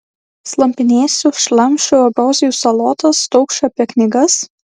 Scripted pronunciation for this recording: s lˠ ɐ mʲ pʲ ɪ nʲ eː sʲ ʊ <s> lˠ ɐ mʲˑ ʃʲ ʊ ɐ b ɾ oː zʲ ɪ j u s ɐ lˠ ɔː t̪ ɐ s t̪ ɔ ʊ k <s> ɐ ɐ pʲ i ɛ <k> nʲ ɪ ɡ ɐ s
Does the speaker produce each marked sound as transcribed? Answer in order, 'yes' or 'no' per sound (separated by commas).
no, no, yes